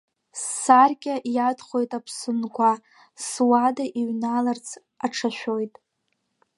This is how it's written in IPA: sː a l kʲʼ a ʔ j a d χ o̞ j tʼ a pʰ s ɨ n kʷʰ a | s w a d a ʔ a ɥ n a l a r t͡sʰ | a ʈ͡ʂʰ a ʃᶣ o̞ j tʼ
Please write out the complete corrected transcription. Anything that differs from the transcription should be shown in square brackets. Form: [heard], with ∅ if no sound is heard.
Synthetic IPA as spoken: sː a [r] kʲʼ a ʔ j a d χ o̞ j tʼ a pʰ s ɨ n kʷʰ a | s w a d a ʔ [i] ɥ n a l a r t͡sʰ | a ʈ͡ʂʰ a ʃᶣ o̞ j tʼ